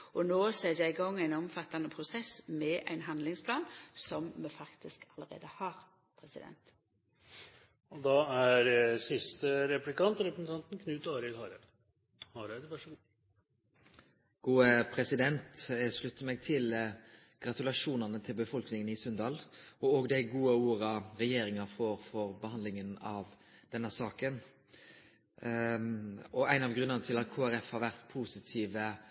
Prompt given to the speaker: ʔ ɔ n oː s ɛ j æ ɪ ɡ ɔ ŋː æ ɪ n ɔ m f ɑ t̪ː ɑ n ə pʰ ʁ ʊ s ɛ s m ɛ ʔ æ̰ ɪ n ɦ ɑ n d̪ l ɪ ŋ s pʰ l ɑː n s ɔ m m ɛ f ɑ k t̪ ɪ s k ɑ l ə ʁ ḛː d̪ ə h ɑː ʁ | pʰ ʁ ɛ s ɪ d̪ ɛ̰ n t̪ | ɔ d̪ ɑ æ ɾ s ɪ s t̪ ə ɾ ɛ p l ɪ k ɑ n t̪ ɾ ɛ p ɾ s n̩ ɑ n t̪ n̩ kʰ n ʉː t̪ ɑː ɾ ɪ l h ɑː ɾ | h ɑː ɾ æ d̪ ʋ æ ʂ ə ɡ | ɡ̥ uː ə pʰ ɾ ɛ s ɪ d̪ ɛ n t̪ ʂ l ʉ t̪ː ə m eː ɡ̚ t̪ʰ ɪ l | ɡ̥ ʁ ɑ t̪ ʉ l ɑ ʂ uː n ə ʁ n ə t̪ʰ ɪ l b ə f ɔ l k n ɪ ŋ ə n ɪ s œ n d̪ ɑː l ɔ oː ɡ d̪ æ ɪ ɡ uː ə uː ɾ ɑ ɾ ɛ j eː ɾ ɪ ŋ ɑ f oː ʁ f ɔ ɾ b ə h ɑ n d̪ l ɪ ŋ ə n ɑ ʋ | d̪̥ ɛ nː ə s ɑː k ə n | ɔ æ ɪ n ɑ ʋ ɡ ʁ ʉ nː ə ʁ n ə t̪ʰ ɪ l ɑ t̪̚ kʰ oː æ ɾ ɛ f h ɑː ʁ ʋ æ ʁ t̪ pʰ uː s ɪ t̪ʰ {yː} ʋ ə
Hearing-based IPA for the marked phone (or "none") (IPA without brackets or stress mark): iː